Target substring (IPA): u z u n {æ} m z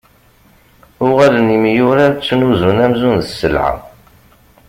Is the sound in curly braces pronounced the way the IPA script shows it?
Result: yes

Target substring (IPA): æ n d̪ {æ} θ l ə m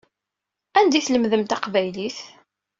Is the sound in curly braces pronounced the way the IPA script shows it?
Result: no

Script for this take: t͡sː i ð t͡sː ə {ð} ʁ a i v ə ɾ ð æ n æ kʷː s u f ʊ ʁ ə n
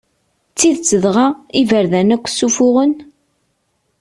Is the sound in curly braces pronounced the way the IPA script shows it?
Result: yes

